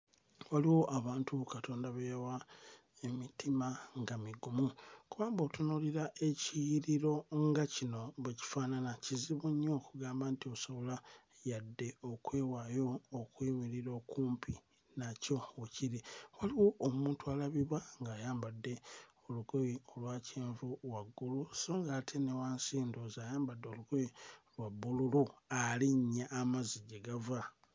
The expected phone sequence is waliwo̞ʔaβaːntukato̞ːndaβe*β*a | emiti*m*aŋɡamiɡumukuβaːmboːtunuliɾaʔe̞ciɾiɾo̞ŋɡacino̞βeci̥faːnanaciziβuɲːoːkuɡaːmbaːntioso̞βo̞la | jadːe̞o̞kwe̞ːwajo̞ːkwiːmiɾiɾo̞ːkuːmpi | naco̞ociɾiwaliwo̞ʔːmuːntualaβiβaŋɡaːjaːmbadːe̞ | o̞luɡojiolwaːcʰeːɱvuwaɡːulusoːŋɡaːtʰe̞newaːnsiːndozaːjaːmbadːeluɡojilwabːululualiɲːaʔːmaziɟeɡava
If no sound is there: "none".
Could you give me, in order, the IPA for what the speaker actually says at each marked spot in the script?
w, m

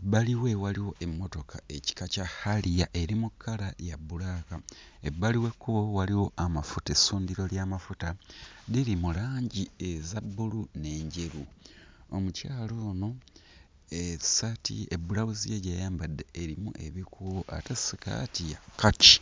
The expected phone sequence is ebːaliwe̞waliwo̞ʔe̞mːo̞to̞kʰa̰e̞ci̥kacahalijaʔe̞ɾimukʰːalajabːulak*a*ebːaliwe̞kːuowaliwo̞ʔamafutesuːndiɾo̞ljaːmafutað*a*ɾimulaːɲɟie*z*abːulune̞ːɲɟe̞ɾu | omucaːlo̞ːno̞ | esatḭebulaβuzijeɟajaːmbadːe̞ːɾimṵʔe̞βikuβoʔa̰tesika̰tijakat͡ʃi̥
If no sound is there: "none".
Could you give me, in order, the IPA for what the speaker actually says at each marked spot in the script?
a, i, z

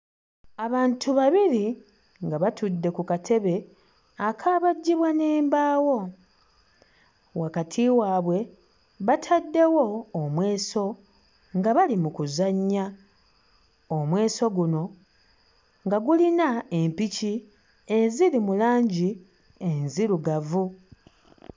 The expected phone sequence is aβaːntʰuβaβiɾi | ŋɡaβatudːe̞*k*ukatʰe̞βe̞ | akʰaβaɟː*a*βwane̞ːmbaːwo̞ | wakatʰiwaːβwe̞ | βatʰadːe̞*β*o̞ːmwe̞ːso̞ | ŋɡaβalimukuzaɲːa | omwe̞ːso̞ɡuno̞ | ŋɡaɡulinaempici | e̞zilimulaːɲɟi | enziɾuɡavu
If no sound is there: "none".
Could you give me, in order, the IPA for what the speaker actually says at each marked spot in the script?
k, i, w

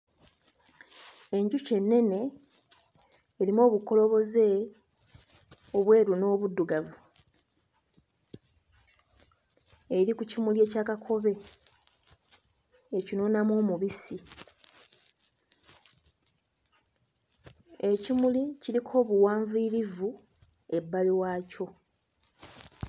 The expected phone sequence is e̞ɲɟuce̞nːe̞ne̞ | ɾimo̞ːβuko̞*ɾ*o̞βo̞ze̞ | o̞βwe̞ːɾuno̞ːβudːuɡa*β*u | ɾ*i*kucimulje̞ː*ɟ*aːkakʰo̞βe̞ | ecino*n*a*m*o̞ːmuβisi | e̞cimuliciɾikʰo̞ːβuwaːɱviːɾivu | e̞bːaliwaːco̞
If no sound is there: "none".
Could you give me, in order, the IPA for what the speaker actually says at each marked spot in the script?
l, v, i, c, n, m

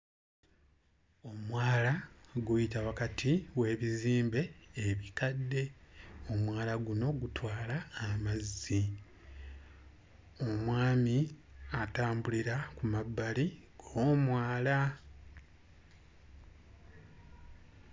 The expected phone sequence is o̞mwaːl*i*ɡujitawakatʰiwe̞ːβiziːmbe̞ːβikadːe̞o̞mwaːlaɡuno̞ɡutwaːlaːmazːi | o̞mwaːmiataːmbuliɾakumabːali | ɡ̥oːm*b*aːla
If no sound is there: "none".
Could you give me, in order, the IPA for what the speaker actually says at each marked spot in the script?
a, w

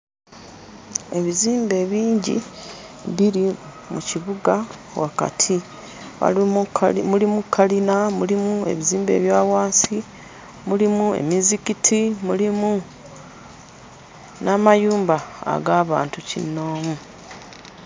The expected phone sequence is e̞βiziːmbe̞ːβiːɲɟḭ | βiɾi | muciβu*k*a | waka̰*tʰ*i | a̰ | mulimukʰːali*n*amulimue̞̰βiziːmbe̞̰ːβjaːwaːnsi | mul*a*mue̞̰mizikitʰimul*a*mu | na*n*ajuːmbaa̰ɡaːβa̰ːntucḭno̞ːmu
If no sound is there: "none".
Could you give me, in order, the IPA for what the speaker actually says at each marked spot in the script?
ɡ, tʰ, n, i, i, m

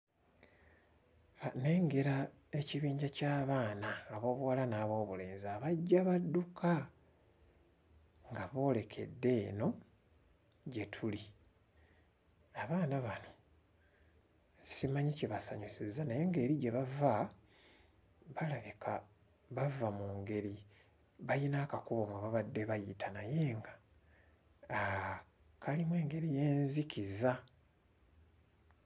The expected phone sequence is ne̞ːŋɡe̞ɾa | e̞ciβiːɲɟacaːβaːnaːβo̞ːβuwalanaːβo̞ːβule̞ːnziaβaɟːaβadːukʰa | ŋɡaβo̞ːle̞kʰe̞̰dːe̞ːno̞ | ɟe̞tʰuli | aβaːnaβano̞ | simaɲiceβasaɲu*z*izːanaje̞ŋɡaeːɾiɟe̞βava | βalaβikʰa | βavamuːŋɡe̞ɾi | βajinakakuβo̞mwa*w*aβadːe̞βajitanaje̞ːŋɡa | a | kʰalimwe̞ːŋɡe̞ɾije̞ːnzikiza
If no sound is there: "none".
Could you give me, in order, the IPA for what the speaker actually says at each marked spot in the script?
s, β

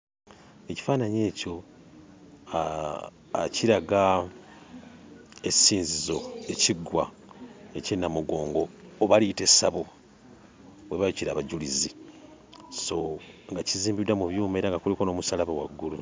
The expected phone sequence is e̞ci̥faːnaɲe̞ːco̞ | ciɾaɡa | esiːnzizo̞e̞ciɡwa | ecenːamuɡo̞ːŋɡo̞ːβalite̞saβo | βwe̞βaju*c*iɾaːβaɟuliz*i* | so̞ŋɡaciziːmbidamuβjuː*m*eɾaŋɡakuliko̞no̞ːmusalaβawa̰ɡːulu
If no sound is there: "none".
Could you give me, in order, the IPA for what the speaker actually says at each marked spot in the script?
c, i, m

